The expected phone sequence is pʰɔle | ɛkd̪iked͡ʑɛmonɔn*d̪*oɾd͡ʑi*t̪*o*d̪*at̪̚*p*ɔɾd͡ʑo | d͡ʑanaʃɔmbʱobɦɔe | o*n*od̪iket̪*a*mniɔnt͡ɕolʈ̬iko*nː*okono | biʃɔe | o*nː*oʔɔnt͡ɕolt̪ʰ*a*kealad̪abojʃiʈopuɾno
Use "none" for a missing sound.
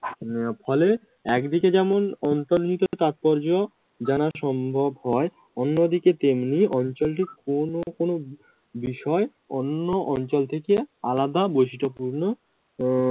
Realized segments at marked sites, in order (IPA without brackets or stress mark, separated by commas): t̪, t̪, t̪, p, nː, e, n, nː, e